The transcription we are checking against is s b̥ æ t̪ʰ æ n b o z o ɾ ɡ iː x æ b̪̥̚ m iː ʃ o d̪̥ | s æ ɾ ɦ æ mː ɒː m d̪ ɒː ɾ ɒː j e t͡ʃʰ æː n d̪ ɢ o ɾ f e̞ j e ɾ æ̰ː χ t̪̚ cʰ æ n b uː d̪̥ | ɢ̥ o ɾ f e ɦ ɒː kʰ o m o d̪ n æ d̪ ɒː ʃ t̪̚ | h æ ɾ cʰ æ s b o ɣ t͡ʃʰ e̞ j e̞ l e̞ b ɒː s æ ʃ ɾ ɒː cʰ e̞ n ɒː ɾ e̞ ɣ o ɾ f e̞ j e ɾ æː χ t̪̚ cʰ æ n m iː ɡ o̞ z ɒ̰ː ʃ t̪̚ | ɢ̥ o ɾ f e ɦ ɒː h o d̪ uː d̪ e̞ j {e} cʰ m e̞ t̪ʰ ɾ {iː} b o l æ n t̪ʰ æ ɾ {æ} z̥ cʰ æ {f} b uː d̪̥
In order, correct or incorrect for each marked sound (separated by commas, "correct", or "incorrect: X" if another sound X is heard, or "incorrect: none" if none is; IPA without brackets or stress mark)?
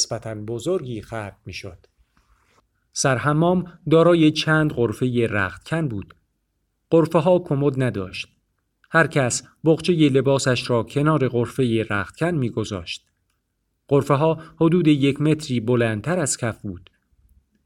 correct, correct, correct, correct